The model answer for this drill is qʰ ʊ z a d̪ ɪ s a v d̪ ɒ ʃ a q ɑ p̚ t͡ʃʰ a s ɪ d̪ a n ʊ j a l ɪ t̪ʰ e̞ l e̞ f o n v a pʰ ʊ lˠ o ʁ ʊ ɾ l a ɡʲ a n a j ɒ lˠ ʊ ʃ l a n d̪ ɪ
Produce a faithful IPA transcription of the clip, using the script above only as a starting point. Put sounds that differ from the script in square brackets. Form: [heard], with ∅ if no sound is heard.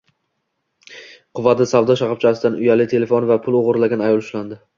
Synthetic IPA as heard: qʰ ʊ [v] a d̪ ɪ s a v d̪ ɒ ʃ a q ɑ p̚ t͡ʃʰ a s ɪ d̪ a n ʊ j a l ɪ t̪ʰ e̞ l e̞ f o n v a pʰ ʊ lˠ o ʁ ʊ ɾ l a ɡʲ a n a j ɒ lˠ ʊ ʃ l a n d̪ ɪ